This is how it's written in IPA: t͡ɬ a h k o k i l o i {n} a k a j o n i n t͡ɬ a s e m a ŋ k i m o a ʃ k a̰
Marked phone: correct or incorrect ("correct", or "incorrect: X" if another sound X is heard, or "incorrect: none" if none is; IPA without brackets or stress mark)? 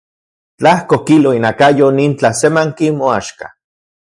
correct